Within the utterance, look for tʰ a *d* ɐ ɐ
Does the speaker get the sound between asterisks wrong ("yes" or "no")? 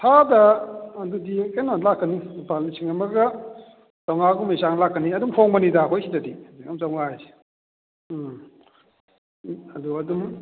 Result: no